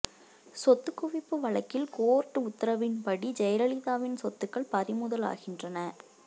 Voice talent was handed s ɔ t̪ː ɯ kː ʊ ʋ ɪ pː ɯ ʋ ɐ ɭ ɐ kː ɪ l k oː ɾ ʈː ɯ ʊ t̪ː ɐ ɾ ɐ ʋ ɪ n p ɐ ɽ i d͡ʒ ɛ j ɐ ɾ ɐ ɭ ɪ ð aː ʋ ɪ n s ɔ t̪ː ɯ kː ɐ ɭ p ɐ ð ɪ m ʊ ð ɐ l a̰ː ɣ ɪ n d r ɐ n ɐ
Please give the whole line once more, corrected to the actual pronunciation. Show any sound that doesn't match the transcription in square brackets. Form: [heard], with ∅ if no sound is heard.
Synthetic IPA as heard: s ɔ t̪ː ɯ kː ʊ ʋ ɪ pː ɯ ʋ ɐ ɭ ɐ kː ɪ l k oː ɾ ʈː ɯ ʊ t̪ː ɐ ɾ ɐ ʋ ɪ n p ɐ ɽ i d͡ʒ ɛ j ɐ ɾ ɐ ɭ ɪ ð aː ʋ ɪ n s ɔ t̪ː ɯ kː ɐ ɭ p ɐ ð ɪ m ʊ ð ɐ l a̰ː ɣ ɪ n d r ɐ n ɐ